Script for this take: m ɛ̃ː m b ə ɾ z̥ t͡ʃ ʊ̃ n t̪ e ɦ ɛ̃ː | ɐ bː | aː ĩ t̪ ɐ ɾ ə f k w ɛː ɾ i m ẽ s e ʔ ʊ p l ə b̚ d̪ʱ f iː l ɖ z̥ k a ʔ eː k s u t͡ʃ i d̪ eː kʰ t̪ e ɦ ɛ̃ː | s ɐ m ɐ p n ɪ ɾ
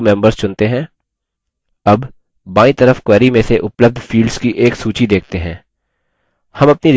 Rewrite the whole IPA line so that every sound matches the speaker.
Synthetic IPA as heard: m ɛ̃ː m b ə ɾ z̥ t͡ʃ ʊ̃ n t̪ e ɦ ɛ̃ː | ɐ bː | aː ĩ t̪ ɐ ɾ ə f k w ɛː ɾ i m ẽ s e ʔ ʊ p l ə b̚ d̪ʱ f iː l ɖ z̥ k i ʔ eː k s uː t͡ʃ i d̪ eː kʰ t̪ e ɦ ɛ̃ː | h ɐ m ɐ p n i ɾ

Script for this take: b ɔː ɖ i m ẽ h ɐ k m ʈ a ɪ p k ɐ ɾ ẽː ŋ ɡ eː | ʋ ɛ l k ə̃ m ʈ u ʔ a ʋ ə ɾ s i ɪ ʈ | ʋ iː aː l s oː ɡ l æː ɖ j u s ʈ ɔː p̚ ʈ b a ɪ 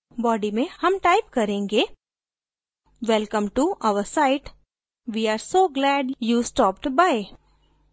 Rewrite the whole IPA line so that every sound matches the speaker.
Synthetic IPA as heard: b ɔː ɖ i m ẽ h ɐ m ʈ a ɪ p k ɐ ɾ ẽː ŋ ɡ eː | ʋ ɛ l k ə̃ m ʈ u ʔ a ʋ ə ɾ s a ɪ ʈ | ʋ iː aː ɾ s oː ɡ l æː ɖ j u s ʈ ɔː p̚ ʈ b a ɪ

